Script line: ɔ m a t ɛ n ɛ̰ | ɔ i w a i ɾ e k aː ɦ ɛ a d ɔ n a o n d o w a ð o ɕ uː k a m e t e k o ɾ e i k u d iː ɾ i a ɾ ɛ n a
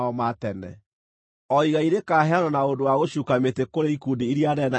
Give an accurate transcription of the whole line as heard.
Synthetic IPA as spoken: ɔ m a t ɛ n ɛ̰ | ɔ i ɣ a i ɾ e k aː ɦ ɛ a n ɔ n a o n d o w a ɣ o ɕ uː k a m e t e k o ɾ e i k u d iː ɾ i a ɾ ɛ n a